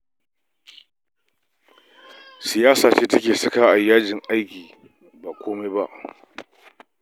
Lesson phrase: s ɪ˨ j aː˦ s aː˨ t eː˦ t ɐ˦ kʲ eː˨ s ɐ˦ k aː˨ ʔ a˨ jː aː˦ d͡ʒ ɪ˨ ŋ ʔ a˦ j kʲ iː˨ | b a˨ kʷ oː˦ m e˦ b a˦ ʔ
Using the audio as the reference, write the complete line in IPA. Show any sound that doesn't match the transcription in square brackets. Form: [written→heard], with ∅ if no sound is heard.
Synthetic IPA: s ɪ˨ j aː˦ s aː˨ [t→t͡ʃ] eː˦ t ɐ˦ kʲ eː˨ s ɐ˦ k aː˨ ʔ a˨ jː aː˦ d͡ʒ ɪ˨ ŋ ʔ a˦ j kʲ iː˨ | b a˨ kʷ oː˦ m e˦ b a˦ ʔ